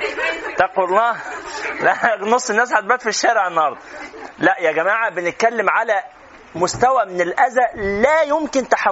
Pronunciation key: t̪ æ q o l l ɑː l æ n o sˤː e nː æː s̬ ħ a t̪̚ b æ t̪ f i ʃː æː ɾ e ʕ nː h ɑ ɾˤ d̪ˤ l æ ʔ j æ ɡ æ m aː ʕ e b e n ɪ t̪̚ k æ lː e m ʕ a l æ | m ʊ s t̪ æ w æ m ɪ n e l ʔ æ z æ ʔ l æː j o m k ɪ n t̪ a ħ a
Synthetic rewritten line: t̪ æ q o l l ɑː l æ n o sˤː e nː æː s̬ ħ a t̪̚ b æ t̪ f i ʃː æː ɾ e ʕ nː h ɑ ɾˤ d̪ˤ l æ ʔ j æ ɡ æ m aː ʕ a b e n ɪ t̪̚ k æ lː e m ʕ a l æ | m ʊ s t̪ æ w æ m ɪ n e l ʔ æ z æ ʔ l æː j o m k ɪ n t̪ a ħ a